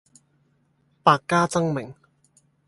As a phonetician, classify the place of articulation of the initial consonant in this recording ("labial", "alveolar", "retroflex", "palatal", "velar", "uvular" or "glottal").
labial